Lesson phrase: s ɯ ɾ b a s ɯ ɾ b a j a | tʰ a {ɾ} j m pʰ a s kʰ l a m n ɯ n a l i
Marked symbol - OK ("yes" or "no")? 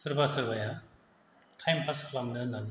no